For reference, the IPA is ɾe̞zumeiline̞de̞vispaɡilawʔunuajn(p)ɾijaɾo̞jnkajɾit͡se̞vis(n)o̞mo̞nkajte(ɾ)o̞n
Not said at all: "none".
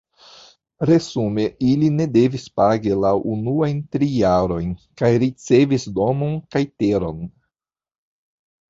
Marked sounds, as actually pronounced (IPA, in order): t, d, ɾ

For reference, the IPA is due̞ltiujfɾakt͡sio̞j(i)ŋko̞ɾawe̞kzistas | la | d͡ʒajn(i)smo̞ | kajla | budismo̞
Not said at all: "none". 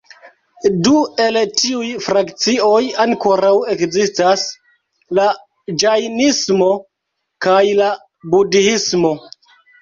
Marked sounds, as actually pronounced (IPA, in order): a, i

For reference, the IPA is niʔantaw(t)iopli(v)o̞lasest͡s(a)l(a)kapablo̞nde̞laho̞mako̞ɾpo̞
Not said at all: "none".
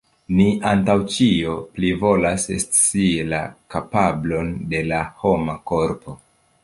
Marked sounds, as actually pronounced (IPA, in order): t͡ʃ, v, i, a

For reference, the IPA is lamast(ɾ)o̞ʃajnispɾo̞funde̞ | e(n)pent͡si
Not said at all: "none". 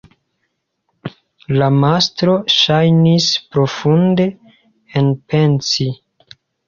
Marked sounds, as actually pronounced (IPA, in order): ɾ, n

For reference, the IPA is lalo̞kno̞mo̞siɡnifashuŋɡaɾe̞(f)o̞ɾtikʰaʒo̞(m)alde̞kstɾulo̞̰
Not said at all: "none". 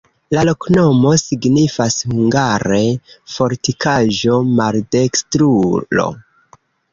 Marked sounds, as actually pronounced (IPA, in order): f, m

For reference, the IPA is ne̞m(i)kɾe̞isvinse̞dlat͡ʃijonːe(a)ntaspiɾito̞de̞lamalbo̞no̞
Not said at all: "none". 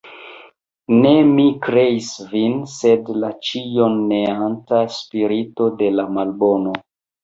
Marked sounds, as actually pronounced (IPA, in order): i, a

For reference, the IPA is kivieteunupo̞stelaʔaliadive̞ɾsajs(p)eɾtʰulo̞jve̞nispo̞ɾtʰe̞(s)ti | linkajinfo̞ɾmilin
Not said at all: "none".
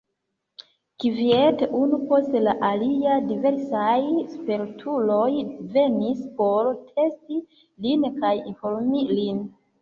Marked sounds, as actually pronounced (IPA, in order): p, s

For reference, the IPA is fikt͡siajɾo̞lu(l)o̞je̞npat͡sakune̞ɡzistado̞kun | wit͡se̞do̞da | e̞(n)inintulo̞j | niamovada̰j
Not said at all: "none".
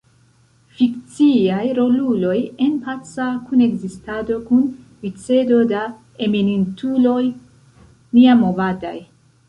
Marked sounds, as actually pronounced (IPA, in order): l, m

